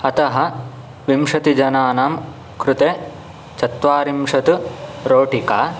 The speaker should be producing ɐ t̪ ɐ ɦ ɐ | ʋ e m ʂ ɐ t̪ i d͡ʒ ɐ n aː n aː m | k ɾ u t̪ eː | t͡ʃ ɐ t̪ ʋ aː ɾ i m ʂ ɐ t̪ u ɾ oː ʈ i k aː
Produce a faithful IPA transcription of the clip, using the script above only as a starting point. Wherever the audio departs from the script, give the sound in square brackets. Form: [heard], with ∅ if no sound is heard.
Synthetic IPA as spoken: ɐ t̪ ɐ ɦ ɐ | ʋ [i] m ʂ ɐ t̪ i d͡ʒ ɐ n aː n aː m | k ɾ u t̪ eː | t͡ʃ ɐ t̪ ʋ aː ɾ i m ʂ ɐ t̪ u ɾ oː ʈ i k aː